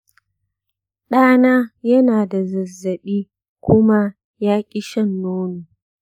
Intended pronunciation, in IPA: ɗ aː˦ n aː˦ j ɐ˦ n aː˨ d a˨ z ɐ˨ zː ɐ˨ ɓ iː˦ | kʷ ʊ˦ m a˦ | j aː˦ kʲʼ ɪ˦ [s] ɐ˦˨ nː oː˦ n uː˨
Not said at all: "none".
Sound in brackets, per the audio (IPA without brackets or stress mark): ʃ